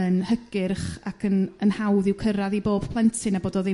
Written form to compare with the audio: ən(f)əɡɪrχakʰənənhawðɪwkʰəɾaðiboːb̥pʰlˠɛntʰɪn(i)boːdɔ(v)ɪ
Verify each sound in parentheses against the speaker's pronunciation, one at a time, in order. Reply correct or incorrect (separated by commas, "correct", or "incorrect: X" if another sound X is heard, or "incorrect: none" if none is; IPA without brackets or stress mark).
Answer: incorrect: h, incorrect: a, incorrect: ð